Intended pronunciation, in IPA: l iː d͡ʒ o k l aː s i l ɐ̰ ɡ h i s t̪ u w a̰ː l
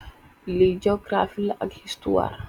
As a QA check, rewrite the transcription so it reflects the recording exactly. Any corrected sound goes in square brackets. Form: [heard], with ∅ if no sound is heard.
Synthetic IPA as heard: l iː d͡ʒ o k [ɾ] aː [f] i l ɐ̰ ɡ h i s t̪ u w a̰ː [ɾ]